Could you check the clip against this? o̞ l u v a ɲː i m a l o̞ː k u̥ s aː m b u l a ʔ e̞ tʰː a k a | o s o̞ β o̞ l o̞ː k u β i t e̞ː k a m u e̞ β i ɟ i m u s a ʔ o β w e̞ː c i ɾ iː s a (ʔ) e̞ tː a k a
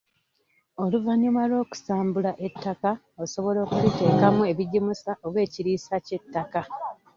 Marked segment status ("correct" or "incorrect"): incorrect